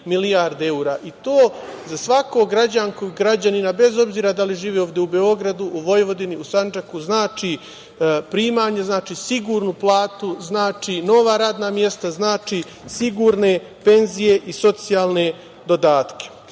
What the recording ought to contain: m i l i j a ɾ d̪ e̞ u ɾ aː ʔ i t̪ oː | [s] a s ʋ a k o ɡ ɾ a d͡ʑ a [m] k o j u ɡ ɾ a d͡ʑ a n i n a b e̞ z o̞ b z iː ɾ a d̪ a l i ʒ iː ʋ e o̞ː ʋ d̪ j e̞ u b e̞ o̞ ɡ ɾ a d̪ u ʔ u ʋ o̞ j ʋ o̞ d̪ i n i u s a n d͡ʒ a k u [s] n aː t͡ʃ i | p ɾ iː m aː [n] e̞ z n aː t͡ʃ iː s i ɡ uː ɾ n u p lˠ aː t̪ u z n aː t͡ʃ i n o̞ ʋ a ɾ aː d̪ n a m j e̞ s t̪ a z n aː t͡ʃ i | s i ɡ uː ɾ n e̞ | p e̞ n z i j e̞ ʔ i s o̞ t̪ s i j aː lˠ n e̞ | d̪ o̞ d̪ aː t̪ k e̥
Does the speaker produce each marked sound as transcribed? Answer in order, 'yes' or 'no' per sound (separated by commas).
no, no, no, no